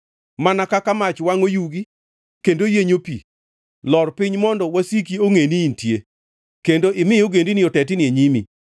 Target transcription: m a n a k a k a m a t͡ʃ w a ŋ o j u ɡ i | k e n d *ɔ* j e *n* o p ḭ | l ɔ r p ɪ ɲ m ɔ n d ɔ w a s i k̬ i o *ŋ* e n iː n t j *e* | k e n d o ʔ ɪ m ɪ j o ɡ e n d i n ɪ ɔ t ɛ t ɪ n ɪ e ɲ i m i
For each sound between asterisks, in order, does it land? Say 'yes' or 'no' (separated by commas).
no, no, yes, yes